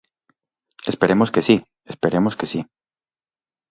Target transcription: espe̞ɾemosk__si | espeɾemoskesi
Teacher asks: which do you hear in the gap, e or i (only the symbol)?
e